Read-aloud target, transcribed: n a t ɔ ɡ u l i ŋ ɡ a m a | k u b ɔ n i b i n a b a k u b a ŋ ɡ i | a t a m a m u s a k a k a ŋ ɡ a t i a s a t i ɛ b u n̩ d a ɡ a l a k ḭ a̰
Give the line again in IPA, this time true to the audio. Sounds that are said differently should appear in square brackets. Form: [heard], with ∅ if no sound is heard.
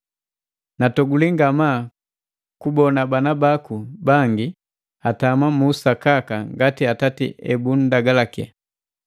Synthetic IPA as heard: n a t ɔ ɡ u l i ŋ ɡ a m a | k u b ɔ n [a] b [a] n a b a k u b a ŋ ɡ i | a t a m a m u s a k a k a ŋ ɡ a t i a [t] a t i ɛ b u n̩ d a ɡ a l a k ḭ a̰